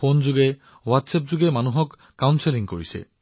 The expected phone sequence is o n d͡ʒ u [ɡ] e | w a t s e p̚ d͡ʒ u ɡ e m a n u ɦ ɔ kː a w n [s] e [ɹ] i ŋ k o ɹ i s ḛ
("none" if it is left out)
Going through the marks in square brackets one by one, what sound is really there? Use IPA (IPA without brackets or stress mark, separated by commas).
ɡ, s, l